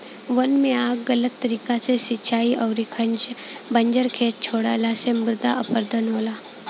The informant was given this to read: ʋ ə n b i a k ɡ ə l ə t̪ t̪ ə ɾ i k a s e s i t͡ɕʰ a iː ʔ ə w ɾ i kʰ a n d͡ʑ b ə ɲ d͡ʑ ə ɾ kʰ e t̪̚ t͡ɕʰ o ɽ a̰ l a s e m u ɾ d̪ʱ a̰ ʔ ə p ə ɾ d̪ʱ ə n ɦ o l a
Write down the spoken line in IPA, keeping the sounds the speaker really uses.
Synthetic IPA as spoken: ʋ ə n m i a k ɡ ə l ə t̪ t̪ ə ɾ i k a t͡s e s i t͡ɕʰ a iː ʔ ə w ɾ i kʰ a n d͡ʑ b ə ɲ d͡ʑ ə ɾ kʰ e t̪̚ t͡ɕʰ o ɽ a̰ l a s e m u ɾ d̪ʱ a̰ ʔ ə p ə ɾ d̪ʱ ə n ɦ o l a